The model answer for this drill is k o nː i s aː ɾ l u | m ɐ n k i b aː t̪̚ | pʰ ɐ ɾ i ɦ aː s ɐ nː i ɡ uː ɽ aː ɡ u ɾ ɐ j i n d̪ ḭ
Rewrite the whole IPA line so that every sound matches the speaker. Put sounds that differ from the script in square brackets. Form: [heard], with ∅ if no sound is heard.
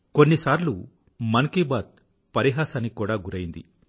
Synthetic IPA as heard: k o nː i s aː ɾ l u | m ɐ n k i b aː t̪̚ | [p] ɐ ɾ i ɦ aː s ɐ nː i [k] uː ɽ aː ɡ u ɾ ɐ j i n d̪ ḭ